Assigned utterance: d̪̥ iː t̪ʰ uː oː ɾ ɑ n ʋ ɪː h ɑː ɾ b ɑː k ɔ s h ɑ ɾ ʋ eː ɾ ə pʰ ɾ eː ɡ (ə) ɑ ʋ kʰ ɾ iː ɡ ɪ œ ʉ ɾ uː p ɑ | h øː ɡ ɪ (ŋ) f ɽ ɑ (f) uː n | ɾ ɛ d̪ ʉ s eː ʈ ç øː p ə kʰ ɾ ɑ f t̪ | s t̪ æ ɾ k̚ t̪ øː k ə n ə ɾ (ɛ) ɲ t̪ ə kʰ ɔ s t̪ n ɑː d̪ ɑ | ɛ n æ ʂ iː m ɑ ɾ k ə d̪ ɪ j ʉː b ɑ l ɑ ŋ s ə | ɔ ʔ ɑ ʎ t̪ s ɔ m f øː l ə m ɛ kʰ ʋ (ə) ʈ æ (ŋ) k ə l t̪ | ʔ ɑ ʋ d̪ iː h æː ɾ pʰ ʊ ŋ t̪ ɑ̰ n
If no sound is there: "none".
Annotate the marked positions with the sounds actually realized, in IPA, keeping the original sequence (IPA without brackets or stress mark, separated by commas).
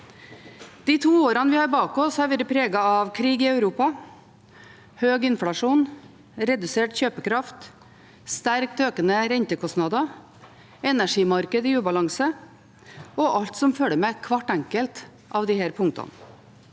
ɑ, n, ʂ, ɛ, ɑ, ŋ